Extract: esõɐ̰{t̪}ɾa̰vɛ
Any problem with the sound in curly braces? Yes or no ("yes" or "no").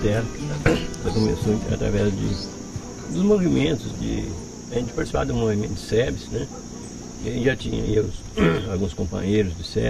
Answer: no